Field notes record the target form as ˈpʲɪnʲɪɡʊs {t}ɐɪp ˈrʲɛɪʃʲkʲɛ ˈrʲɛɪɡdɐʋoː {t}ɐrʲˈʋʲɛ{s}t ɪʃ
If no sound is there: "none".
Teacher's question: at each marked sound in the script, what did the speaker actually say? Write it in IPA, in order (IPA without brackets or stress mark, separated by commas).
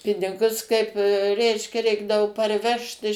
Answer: k, p, ʃ